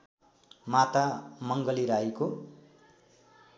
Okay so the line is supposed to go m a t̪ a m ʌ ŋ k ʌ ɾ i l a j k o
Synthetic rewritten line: m a t̪ a m ʌ ŋ ɡ ʌ l i ɾ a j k o